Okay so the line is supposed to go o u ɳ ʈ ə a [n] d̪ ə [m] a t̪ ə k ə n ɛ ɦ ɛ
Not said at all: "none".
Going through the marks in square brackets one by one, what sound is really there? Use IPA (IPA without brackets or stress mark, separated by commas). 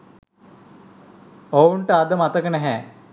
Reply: none, m